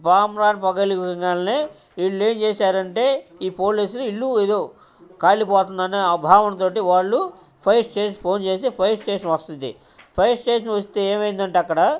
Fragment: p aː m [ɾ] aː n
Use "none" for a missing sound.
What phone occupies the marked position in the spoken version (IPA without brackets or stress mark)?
ɾ